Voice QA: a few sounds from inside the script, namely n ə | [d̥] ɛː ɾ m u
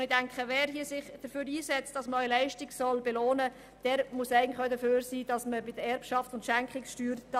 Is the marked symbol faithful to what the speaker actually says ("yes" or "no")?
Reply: yes